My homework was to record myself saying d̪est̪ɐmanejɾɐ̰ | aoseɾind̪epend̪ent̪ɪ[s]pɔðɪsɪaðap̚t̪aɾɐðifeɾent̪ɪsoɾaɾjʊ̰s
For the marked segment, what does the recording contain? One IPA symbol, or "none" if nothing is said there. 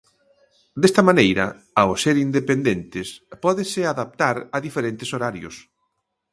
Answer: s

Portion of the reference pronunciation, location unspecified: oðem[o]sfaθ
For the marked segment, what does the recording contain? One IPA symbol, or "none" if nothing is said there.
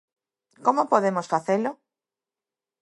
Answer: o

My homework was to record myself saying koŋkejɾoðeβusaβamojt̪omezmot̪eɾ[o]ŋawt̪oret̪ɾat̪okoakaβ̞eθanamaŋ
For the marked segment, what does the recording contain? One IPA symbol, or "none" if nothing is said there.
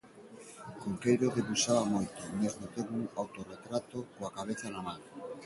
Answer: u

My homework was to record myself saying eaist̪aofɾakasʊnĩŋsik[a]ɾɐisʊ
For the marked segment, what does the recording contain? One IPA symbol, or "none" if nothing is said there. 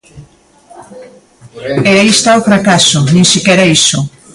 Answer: ɛ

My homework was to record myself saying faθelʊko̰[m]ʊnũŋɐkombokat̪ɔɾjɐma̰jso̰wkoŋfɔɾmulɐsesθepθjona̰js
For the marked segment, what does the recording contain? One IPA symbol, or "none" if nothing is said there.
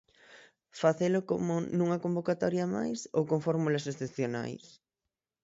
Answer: m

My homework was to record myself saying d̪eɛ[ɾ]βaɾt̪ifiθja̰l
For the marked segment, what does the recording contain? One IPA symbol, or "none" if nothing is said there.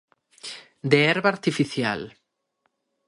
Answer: ɾ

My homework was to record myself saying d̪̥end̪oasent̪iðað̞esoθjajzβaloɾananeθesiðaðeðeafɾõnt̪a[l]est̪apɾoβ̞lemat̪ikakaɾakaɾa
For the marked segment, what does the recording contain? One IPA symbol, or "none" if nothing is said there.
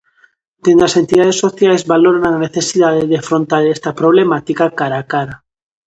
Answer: ɾ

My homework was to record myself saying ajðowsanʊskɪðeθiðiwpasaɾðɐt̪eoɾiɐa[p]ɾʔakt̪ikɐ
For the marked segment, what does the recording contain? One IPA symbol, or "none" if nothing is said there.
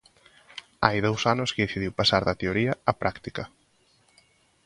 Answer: p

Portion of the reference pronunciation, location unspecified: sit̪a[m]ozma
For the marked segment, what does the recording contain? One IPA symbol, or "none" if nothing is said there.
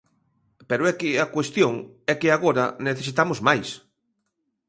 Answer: m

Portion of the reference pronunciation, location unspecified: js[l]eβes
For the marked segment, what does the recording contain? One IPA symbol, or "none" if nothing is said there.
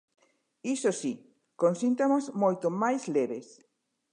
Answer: l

